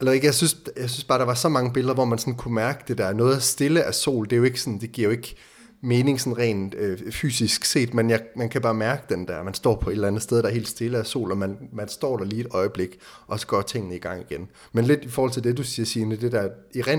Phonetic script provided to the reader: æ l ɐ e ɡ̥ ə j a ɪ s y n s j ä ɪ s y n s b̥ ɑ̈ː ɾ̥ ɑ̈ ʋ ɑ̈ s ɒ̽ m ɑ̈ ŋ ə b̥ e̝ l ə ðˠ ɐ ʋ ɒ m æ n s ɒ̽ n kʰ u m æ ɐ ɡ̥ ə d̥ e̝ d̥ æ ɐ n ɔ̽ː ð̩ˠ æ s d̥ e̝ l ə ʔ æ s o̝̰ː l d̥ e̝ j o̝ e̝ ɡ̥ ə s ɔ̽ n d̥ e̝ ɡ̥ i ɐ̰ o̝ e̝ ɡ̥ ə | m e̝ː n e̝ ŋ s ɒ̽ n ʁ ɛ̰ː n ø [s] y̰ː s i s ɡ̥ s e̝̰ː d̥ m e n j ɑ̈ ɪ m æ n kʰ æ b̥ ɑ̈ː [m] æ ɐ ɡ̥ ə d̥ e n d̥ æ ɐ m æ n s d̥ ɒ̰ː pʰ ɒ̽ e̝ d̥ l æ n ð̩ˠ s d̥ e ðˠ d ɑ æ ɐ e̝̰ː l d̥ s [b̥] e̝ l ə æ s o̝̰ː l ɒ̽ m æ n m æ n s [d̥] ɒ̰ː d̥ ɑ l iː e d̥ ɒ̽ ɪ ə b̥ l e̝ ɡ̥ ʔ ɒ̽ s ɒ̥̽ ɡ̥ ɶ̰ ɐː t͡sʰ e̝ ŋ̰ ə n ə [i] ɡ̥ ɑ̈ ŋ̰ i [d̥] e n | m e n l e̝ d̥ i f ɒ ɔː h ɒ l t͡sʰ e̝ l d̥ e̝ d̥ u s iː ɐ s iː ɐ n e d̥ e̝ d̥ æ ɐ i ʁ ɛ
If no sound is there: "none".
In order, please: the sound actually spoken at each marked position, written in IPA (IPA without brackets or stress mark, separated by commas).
f, m, d̥, d̥, i, ɡ̥